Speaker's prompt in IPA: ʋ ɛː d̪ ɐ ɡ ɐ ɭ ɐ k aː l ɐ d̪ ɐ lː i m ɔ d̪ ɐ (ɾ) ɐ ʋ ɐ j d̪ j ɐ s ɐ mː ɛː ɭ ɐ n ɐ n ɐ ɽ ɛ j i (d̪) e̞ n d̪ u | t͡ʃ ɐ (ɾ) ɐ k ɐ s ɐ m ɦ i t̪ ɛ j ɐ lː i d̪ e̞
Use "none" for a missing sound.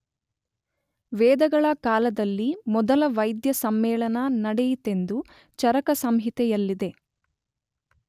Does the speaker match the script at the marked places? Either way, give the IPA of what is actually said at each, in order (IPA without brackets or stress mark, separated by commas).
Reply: l, t̪, ɾ